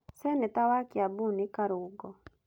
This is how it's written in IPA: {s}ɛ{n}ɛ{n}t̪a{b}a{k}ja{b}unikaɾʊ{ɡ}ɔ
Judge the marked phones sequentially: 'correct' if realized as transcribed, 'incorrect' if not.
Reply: correct, correct, incorrect: none, incorrect: w, correct, correct, correct

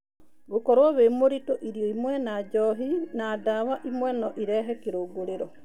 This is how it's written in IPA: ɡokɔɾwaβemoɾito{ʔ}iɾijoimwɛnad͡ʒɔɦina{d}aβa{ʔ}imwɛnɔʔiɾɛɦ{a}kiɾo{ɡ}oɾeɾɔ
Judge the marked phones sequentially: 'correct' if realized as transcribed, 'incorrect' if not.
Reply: correct, correct, correct, incorrect: ɛ, correct

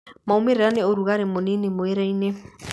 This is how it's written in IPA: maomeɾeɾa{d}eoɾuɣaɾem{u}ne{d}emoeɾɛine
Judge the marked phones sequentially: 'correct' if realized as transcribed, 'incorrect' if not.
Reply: incorrect: n, incorrect: o, incorrect: n

